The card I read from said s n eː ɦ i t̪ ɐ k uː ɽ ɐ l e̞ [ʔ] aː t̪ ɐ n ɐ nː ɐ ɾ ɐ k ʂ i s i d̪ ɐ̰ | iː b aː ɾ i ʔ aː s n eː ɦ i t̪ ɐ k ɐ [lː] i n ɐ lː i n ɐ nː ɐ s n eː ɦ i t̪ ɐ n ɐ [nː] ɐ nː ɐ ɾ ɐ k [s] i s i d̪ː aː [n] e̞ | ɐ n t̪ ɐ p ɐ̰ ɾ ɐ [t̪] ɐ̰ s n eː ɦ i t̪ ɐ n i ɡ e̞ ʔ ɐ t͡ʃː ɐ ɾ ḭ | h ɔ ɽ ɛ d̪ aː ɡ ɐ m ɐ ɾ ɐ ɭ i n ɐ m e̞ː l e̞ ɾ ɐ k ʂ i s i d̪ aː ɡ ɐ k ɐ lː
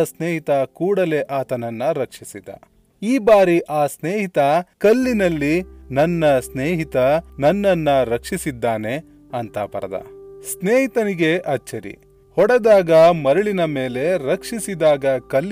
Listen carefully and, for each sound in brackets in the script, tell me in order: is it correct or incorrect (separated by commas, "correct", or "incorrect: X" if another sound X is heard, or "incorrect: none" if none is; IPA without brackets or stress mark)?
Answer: correct, correct, correct, incorrect: ʂ, correct, incorrect: d̪